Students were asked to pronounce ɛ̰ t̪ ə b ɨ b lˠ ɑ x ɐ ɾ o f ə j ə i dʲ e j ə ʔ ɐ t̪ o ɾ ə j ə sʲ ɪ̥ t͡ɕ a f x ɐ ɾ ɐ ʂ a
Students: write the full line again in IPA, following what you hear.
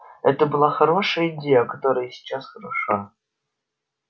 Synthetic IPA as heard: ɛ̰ t̪ ə b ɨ lˠ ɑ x ɐ ɾ o ʂ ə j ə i dʲ e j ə k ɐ t̪ o ɾ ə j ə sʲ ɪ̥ t͡ɕ a s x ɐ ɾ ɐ ʂ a